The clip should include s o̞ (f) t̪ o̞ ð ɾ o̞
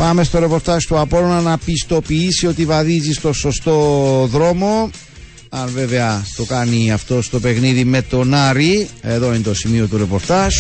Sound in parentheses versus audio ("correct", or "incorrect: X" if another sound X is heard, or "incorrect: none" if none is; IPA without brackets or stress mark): incorrect: s